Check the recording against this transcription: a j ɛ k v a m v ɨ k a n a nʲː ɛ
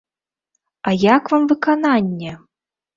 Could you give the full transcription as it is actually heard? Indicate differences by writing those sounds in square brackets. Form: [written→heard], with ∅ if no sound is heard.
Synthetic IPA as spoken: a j [ɛ→a] k v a m v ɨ k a n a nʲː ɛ